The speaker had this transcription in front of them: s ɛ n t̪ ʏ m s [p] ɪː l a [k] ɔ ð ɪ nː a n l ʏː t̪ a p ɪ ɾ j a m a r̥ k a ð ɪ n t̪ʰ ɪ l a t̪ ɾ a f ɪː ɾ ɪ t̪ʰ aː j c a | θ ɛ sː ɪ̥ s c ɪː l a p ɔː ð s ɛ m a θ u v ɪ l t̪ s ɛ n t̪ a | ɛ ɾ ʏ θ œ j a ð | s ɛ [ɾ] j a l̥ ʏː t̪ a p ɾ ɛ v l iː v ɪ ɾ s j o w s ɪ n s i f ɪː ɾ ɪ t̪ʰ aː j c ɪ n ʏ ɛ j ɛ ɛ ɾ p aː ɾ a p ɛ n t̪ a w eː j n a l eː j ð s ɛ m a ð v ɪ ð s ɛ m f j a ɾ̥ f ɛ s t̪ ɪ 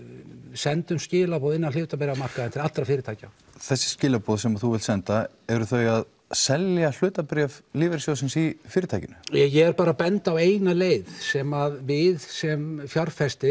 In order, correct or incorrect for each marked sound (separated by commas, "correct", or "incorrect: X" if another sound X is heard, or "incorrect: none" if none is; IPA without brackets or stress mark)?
incorrect: c, incorrect: p, incorrect: l